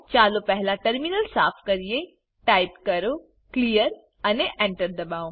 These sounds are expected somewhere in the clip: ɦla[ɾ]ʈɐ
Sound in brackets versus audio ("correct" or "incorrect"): incorrect